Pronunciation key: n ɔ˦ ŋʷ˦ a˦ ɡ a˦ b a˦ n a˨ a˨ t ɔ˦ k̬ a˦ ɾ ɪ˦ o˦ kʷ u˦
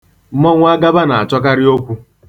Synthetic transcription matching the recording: m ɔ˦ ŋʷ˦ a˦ ɡ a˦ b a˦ n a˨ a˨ t͡ʃ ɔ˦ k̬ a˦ ɾ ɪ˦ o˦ kʷ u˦